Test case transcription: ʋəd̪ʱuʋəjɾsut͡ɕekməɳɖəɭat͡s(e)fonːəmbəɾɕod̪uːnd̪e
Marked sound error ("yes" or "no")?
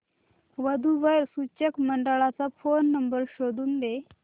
yes